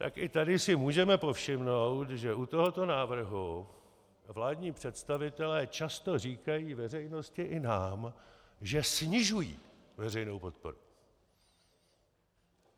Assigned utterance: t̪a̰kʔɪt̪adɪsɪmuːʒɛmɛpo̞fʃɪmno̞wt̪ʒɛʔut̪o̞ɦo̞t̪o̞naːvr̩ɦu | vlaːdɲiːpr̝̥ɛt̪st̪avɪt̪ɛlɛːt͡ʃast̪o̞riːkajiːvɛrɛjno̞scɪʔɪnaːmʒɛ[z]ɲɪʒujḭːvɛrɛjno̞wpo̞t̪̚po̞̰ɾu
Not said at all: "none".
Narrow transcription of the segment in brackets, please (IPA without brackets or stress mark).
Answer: s